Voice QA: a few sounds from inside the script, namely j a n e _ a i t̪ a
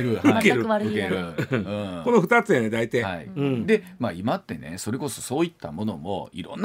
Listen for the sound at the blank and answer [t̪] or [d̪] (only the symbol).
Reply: d̪